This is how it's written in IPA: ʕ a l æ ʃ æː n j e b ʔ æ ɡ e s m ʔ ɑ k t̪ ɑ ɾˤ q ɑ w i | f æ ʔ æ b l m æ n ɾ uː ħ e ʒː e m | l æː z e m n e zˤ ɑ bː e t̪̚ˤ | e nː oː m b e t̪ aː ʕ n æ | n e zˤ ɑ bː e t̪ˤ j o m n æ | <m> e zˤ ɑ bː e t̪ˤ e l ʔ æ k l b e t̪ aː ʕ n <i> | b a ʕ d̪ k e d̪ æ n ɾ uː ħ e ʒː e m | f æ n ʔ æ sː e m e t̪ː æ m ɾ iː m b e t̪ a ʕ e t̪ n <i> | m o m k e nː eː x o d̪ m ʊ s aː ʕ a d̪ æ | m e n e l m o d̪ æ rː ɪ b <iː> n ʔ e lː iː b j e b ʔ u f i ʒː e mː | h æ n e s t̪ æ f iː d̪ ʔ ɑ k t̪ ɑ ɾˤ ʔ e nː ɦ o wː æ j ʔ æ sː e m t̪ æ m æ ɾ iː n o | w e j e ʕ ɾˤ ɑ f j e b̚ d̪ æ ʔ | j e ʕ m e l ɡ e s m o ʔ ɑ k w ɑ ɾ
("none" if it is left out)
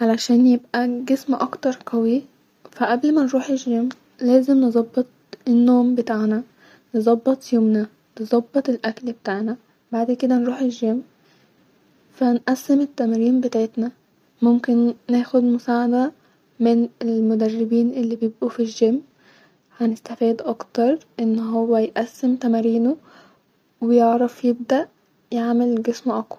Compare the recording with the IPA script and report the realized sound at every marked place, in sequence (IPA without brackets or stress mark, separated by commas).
n, æ, æ, iː